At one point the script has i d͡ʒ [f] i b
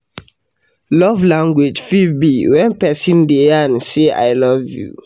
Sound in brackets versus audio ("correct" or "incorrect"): correct